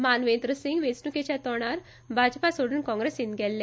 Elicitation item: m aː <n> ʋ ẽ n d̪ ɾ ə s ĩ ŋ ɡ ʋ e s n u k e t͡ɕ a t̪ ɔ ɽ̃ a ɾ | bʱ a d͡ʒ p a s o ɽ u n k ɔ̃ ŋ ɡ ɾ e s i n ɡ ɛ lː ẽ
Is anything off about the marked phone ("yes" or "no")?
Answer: no